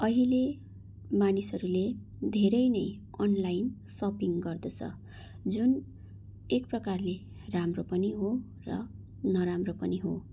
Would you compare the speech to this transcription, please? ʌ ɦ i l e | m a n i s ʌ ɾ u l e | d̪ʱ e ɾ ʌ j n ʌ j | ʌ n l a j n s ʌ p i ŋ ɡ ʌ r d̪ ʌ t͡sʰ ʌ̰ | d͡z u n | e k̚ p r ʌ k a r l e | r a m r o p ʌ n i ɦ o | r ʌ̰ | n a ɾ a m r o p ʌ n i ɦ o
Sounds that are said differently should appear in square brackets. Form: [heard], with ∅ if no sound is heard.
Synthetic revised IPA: ʌ ɦ i l e | m a n i s ʌ ɾ u l e | d̪ʱ e ɾ ʌ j n ʌ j | ʌ n l a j n s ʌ p i ŋ ɡ ʌ r d̪ ʌ t͡sʰ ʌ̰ | d͡z u n | e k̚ p r ʌ k a r l e | r a m r o p ʌ n i ɦ o | r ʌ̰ | n [ʌ] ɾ a m r o p ʌ n i ɦ o

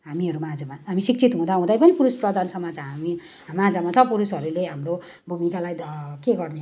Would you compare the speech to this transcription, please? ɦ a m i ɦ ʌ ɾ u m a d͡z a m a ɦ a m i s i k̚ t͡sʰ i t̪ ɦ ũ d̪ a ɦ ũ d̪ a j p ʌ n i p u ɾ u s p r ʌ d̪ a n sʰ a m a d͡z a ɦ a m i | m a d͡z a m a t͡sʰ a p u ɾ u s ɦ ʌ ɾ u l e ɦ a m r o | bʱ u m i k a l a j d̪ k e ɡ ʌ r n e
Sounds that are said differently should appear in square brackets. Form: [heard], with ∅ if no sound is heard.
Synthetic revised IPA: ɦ a m i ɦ ʌ ɾ u m a d͡z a m a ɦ a m i s i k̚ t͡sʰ i t̪ ɦ ũ d̪ a ɦ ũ d̪ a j p ʌ n i p u ɾ u s p r ʌ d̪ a n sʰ [ʌ] m a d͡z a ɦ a m i | m a d͡z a m a t͡sʰ [ʌ] p u ɾ u s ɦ ʌ ɾ u l e ɦ a m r o | bʱ u m i k a l a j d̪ k e ɡ ʌ r n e

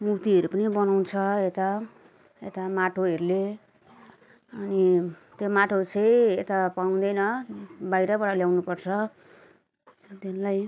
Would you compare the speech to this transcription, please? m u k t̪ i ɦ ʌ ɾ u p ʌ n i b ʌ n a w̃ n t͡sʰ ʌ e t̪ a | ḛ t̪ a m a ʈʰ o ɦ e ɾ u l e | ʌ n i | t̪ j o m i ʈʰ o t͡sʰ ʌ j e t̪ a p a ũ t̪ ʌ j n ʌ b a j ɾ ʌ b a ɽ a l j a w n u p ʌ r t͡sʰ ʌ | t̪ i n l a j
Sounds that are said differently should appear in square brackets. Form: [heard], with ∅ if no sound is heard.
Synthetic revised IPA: m u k t̪ i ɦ ʌ ɾ u p ʌ n i b ʌ n a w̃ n t͡sʰ ʌ e t̪ a | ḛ t̪ a m a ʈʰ o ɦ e ɾ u l e | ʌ n i | t̪ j o m [a] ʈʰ o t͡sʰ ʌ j e t̪ a p a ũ [d̪] ʌ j n ʌ b a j ɾ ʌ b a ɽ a l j a w n u p ʌ r t͡sʰ ʌ | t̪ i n l a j

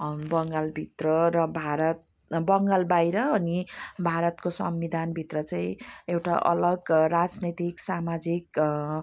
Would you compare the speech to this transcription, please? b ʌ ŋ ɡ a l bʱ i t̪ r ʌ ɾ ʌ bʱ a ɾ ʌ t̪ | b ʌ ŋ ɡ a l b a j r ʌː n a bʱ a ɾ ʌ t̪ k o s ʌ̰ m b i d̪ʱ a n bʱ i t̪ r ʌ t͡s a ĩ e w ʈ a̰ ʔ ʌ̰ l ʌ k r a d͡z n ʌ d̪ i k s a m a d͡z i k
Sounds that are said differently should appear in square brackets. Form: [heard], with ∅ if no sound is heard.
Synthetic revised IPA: b ʌ ŋ ɡ a l bʱ i t̪ r ʌ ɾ ʌ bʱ a ɾ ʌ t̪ | b ʌ ŋ ɡ a l b a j [ɾ] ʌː n [i] bʱ a ɾ ʌ t̪ k o s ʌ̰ m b i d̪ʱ a n bʱ i t̪ r ʌ t͡s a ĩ e w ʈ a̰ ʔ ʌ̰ l ʌ [ɡ] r a d͡z n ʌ [t̪] i k s a m a d͡z i k

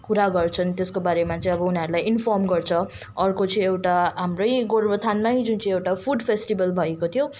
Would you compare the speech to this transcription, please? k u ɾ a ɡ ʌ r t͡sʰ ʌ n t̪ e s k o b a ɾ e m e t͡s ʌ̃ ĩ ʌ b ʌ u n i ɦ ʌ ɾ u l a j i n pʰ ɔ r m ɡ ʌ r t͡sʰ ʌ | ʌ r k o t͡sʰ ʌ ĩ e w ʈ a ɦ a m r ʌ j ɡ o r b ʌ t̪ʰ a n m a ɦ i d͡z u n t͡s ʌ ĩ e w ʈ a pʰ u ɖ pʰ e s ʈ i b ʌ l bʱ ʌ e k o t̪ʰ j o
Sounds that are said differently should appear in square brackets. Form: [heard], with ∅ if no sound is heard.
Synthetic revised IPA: k u ɾ a ɡ ʌ r t͡sʰ ʌ n t̪ e s k o b a ɾ e m [a] t͡s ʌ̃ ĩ ʌ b ʌ u n i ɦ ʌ ɾ u l a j i n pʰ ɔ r m ɡ ʌ r t͡sʰ ʌ | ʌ r k o [t͡s] ʌ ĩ e w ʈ a ɦ a m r ʌ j ɡ o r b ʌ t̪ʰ a n m a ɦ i d͡z u n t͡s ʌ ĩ e w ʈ a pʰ u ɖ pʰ e s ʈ i b ʌ l bʱ ʌ e k o t̪ʰ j o

